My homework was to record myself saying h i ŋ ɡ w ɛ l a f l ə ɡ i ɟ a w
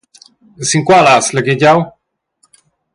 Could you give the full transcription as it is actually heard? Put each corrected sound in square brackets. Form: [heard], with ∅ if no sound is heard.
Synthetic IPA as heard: [s] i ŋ [k] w [a] l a [s] l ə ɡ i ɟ a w